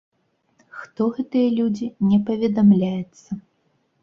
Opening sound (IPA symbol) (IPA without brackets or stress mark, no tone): x